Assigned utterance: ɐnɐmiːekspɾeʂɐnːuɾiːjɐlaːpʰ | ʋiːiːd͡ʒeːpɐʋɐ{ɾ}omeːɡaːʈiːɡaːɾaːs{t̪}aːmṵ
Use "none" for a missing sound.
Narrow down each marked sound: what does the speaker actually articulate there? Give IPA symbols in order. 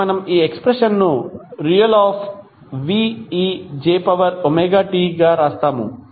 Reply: ɾ, t̪

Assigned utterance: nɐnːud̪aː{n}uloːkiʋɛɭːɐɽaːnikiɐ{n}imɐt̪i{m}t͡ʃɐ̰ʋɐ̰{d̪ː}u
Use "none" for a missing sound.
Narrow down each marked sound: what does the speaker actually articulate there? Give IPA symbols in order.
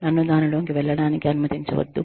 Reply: n, n, ɲ, d̪ː

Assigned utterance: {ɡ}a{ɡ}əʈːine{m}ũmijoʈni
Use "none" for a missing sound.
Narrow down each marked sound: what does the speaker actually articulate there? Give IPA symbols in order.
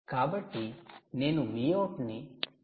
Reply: k, b, n

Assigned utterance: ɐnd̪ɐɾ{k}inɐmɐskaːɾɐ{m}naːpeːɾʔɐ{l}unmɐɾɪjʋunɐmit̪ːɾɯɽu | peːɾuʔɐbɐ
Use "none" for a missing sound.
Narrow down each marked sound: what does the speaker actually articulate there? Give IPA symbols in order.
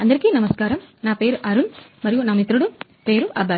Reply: k, m, ɾ

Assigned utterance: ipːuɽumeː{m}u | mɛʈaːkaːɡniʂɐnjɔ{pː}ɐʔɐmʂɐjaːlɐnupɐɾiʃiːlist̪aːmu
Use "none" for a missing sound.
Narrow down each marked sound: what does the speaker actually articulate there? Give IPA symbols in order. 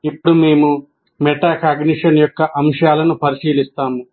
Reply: m, kː

